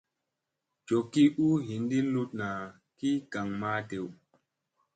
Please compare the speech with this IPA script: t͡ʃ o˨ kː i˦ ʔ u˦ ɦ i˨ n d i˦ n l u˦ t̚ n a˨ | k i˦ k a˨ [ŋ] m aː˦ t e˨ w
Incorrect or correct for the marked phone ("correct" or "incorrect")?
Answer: correct